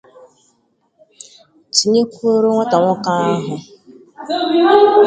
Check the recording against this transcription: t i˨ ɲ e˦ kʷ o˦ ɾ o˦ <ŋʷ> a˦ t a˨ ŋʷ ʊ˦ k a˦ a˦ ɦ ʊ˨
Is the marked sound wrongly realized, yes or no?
no